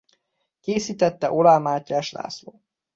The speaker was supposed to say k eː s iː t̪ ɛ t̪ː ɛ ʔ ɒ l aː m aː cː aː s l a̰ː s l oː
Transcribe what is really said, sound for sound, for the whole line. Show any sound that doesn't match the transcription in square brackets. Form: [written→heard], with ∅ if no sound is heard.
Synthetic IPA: k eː s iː t̪ ɛ t̪ː ɛ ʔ [ɒ→o] l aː m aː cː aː [s→ʃ] l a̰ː s l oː